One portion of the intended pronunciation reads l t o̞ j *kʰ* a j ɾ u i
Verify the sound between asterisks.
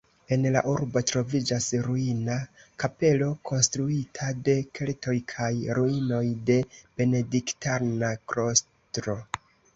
correct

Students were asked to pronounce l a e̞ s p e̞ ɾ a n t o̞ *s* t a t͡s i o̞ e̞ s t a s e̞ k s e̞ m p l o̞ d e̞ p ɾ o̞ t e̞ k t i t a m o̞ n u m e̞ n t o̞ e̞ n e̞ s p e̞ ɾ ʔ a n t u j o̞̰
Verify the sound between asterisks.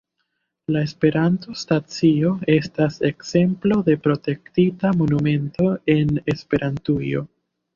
correct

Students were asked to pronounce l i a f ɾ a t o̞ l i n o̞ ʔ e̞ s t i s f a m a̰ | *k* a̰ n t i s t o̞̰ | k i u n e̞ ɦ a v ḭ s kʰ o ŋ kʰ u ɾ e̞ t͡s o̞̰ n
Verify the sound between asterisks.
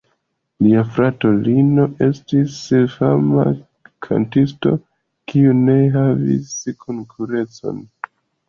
incorrect: kʰ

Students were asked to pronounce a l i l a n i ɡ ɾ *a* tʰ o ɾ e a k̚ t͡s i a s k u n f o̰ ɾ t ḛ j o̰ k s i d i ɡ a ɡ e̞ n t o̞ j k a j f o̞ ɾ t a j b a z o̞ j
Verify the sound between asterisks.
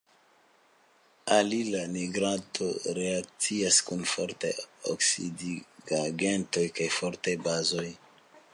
correct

